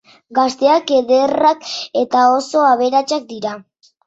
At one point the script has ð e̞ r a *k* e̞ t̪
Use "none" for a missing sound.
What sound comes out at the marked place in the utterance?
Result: k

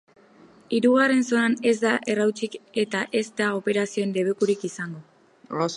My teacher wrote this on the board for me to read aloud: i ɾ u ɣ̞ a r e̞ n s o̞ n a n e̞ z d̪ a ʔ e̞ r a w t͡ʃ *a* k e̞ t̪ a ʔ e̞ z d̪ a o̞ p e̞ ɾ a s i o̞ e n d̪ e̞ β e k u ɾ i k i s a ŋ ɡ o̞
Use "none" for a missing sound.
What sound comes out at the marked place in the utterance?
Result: i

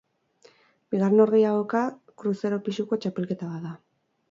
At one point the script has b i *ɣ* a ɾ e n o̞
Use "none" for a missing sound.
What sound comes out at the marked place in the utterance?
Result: ɣ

